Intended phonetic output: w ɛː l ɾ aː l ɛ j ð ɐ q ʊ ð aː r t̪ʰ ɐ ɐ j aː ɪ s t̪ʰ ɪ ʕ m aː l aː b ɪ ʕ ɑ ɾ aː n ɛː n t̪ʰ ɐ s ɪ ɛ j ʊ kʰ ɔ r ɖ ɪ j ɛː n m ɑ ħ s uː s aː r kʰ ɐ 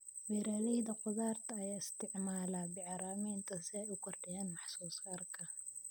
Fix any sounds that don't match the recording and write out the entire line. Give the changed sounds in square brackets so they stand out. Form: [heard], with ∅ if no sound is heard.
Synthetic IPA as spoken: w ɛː [∅] ɾ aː l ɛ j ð ɐ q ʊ ð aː r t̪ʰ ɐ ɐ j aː ɪ s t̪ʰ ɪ ʕ m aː l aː b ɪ ʕ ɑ ɾ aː [m] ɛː n t̪ʰ ɐ s ɪ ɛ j ʊ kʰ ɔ r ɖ ɪ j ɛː n m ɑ ħ s uː s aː r kʰ ɐ